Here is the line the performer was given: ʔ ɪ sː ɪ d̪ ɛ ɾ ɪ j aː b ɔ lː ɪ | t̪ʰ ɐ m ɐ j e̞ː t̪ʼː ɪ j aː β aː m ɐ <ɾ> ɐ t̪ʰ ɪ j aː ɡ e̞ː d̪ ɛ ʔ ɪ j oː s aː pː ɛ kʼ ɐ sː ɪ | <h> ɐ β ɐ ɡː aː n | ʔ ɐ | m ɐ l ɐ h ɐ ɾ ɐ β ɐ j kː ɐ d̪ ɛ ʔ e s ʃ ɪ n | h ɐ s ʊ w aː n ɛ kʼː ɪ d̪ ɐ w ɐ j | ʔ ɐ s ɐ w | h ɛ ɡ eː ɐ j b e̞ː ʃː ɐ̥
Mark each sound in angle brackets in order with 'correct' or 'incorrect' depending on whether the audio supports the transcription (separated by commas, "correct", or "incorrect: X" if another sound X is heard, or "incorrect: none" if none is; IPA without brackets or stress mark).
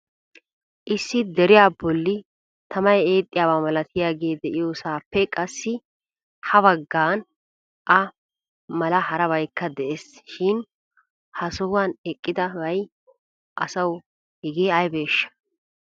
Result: incorrect: l, correct